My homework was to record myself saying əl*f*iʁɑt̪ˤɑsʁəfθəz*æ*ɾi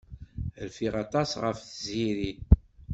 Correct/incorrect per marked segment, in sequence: correct, incorrect

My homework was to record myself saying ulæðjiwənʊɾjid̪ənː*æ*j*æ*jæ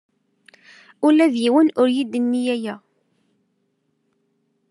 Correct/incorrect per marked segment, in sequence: incorrect, correct

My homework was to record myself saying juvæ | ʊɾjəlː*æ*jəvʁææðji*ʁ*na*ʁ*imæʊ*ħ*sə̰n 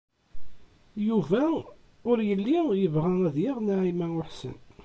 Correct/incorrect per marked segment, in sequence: incorrect, correct, incorrect, correct

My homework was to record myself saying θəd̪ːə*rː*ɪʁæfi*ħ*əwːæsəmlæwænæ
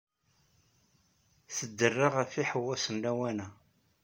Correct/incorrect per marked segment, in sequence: correct, correct

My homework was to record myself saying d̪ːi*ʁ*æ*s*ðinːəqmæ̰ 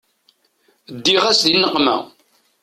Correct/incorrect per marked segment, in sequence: correct, correct

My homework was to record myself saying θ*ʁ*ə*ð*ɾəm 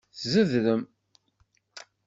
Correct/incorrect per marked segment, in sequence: incorrect, correct

